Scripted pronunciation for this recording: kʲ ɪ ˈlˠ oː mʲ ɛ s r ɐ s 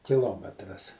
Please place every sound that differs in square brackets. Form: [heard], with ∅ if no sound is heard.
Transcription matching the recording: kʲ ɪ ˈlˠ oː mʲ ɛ [t] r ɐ s